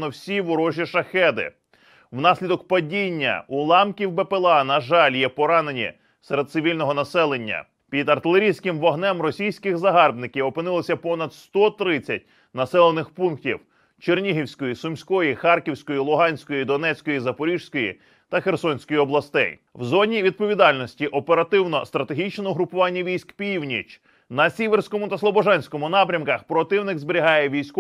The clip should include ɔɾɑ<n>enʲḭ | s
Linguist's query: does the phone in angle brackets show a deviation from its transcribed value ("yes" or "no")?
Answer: no